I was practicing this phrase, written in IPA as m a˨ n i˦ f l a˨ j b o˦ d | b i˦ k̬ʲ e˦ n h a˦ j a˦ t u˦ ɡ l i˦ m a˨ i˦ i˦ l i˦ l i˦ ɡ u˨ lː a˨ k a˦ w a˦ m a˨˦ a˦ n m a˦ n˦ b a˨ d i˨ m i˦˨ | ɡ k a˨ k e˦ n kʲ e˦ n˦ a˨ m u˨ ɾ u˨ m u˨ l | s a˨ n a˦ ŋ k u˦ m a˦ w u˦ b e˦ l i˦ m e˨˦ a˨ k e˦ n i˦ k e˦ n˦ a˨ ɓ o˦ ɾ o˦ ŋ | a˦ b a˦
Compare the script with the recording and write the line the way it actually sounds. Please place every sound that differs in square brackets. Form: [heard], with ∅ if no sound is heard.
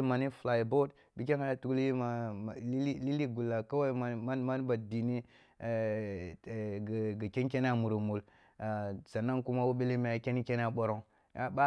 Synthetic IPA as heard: m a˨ n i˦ f l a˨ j b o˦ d | b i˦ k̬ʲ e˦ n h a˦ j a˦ t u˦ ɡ l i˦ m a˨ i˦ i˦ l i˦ l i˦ ɡ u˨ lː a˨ k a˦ w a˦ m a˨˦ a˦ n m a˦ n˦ b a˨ d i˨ [n] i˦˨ | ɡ [ɡ] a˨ k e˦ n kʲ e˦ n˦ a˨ m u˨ ɾ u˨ m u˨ l | s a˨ n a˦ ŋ k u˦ m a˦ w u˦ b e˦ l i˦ m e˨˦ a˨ k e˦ n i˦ k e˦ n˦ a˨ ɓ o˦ ɾ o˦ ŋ | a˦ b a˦